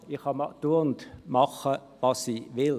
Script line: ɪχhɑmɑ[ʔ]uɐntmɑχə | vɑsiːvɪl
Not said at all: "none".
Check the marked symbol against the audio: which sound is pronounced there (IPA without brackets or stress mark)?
t